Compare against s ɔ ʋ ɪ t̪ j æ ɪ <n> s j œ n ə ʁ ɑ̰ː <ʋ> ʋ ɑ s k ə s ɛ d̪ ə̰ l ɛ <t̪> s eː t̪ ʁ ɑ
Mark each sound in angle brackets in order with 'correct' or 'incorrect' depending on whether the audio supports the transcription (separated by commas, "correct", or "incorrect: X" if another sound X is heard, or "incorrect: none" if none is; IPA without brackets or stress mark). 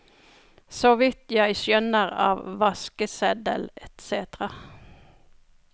incorrect: none, correct, correct